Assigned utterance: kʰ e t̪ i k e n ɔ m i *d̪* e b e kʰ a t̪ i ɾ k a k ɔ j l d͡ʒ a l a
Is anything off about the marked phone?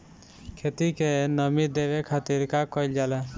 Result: no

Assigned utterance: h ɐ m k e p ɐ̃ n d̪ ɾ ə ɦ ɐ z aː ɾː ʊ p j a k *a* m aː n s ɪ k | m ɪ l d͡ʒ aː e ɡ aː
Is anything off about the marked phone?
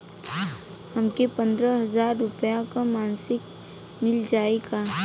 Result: no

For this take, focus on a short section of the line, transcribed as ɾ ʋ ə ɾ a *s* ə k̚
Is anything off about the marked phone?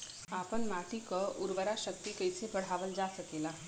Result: yes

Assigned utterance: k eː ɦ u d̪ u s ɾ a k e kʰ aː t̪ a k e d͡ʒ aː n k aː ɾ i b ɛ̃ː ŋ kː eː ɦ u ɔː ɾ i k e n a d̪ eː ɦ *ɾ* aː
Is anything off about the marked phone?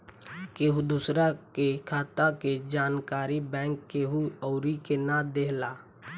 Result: yes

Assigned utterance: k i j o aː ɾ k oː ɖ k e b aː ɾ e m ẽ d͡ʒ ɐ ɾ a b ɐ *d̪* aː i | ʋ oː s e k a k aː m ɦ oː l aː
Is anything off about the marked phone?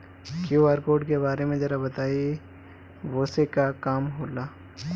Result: yes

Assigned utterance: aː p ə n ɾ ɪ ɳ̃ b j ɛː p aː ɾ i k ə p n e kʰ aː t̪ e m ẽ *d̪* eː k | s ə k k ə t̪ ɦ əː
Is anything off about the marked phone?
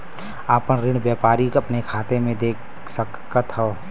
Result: no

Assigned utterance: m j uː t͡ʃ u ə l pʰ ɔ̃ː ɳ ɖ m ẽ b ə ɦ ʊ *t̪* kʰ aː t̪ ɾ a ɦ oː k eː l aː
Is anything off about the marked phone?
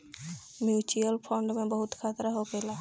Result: no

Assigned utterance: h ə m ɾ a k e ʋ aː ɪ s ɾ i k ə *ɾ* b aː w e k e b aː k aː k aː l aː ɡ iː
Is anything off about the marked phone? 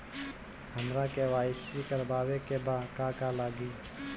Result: no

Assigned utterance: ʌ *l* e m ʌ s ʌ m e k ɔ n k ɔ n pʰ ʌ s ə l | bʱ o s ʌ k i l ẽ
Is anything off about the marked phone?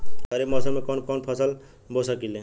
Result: yes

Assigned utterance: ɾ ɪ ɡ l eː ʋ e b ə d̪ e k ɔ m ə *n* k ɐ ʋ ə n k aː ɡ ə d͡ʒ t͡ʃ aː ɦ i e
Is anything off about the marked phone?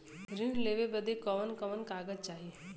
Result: no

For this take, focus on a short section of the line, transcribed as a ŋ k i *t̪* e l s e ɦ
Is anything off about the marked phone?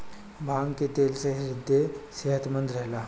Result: no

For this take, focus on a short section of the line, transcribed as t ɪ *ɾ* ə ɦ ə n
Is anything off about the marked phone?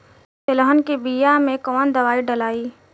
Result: yes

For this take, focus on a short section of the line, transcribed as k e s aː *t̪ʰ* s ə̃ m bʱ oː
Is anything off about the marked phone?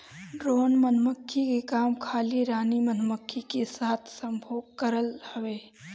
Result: no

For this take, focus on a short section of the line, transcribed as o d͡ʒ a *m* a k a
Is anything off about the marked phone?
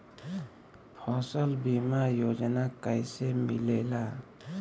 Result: yes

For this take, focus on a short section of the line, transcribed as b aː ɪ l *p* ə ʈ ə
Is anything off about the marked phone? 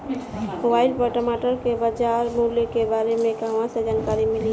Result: no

